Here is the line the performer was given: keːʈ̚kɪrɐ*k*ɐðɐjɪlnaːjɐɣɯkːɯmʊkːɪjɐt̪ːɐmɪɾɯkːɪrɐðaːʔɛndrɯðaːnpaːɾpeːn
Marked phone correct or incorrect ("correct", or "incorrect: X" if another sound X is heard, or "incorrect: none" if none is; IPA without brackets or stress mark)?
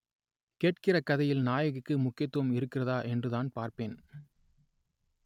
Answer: correct